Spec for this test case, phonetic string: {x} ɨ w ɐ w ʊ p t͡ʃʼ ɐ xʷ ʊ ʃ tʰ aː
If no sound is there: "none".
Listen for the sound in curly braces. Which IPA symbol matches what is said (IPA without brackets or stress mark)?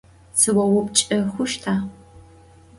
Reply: s